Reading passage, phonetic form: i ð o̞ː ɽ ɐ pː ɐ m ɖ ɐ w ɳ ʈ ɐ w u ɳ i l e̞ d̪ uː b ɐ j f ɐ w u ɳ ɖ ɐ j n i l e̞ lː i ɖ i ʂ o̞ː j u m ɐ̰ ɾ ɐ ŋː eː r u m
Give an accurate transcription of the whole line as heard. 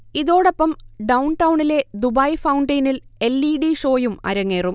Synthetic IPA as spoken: i ð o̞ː ɽ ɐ pː ɐ m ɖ ɐ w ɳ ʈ ɐ w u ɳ i l e̞ d̪ u b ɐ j f ɐ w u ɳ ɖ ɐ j n i l e̞ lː i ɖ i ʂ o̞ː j u m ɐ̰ ɾ ɐ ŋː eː r u m